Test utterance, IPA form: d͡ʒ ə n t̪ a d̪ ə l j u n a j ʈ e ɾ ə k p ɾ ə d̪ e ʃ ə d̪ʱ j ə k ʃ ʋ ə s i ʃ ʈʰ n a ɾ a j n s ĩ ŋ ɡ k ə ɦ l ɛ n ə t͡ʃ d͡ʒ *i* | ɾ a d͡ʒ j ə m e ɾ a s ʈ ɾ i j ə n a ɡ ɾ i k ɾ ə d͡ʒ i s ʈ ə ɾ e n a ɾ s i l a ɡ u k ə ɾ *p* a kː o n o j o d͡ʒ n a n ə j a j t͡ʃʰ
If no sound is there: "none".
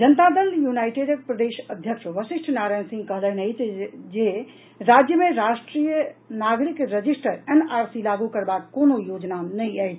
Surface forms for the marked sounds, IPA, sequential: e, b

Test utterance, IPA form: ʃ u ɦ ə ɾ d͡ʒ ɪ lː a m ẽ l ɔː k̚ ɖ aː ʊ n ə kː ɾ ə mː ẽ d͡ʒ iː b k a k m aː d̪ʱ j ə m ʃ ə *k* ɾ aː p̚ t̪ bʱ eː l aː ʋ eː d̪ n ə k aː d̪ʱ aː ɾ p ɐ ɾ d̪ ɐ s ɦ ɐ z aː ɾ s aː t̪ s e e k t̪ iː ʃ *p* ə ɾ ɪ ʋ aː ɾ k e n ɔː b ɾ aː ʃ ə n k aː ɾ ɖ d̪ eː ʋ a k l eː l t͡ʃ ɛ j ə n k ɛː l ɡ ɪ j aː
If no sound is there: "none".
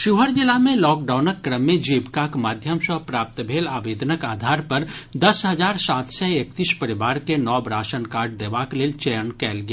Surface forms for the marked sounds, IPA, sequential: p, p

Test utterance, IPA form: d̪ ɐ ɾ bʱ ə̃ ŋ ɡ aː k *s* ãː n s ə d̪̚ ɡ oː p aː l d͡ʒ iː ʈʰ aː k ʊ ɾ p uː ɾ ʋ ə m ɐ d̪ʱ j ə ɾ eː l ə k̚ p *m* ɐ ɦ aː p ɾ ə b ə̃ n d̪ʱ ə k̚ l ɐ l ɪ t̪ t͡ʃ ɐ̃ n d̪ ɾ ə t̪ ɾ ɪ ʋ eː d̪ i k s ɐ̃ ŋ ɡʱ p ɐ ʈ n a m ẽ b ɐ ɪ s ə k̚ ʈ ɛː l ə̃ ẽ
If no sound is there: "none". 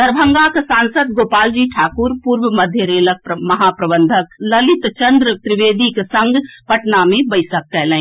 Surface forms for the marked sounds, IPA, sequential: s, m

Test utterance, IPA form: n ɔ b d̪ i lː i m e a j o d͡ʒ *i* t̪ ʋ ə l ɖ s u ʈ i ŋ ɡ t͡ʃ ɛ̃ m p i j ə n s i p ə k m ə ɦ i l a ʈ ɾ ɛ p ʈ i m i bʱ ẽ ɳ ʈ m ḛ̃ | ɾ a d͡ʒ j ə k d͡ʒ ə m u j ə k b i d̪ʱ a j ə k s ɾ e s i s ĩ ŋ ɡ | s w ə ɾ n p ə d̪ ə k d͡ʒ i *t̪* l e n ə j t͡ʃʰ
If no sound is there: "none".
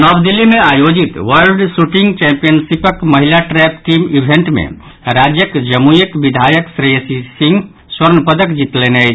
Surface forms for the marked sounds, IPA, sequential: i, t̪

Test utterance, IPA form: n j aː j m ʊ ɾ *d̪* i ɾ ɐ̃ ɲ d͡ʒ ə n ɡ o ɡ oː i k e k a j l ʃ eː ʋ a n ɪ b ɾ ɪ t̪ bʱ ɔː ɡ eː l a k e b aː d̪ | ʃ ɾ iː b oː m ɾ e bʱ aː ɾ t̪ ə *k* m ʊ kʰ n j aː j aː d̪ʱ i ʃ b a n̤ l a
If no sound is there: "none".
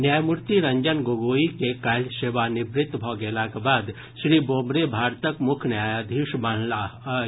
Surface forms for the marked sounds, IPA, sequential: t̪, k

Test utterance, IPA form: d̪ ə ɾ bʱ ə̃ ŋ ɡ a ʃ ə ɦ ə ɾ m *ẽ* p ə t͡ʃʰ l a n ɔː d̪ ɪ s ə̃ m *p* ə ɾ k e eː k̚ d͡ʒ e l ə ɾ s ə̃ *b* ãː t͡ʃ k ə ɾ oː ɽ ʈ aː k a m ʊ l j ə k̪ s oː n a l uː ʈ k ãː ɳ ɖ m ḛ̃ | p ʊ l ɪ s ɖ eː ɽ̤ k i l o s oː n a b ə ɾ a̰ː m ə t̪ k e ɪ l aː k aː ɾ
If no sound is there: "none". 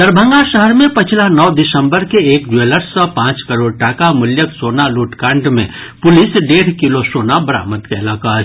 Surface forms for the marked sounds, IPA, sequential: ẽ, b, p

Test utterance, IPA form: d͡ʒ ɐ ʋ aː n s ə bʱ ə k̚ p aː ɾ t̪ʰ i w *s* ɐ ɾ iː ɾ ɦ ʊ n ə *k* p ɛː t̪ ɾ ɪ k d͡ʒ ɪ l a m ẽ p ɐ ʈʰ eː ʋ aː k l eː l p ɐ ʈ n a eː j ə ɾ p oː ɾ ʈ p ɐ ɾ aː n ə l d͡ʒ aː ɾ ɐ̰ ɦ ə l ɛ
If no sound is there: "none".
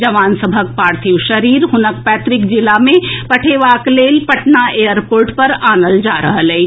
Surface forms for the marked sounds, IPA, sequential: ʃ, k

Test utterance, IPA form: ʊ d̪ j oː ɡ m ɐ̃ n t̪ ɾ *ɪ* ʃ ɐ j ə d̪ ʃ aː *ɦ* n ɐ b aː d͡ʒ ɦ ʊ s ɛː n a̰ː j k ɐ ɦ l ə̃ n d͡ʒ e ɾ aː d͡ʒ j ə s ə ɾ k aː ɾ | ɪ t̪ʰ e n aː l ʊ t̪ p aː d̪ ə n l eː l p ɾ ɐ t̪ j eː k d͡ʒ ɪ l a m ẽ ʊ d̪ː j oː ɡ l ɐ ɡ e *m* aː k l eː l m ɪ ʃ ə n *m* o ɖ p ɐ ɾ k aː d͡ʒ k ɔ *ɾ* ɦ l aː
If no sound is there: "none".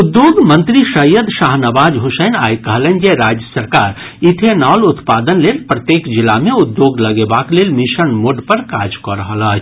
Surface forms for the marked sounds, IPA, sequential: i, ɦ, b, m, ɾ

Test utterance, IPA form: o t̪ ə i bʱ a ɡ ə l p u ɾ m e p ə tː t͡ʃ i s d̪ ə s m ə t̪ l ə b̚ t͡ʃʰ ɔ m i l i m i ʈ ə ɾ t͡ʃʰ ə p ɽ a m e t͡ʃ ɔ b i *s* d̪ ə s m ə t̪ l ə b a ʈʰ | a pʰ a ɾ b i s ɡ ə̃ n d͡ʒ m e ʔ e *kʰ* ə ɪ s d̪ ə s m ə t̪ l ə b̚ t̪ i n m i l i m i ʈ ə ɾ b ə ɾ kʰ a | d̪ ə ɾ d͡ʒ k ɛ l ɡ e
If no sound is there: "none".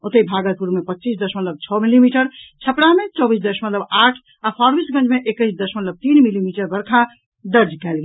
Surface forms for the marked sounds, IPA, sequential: s, k

